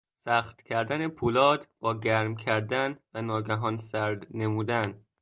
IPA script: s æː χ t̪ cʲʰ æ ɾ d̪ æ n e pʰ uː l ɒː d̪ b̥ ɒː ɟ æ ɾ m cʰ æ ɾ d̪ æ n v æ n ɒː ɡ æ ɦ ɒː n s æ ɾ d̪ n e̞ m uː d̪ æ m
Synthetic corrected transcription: s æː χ t̪ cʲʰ æ ɾ d̪ æ n e pʰ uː l ɒː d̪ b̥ ɒː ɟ æ ɾ m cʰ æ ɾ d̪ æ n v æ n ɒː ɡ æ ɦ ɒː n s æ ɾ d̪ n e̞ m uː d̪ æ n